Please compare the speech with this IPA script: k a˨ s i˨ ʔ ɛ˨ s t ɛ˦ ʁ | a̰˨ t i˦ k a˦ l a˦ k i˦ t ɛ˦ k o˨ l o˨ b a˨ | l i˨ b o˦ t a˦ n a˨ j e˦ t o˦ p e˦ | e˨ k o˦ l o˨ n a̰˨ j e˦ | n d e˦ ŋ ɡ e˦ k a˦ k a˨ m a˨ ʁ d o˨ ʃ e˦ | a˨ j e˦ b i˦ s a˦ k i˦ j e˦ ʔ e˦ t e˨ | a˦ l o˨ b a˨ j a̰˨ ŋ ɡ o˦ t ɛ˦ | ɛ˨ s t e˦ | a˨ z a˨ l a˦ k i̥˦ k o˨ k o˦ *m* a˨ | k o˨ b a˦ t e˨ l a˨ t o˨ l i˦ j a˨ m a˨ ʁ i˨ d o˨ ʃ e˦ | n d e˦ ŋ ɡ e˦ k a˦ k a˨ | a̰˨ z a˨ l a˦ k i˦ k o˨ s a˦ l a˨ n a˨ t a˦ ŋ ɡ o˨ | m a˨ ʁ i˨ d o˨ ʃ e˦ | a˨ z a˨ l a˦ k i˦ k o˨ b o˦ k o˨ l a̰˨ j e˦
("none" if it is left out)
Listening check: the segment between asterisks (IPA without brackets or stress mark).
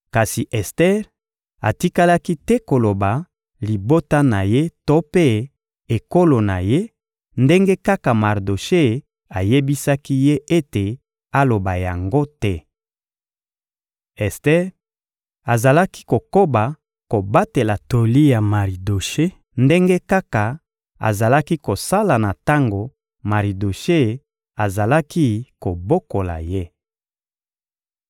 b